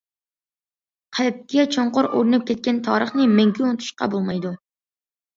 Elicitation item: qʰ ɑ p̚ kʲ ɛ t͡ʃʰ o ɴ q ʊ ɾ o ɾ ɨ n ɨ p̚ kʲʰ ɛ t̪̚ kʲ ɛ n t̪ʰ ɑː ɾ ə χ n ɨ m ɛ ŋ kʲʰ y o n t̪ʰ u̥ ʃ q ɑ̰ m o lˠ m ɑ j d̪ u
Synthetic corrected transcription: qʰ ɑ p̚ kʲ ɛ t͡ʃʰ o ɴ q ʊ ɾ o ɾ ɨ n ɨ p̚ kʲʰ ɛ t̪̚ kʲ ɛ n t̪ʰ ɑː ɾ ə χ n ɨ m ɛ ŋ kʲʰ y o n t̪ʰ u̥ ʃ q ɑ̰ b o lˠ m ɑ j d̪ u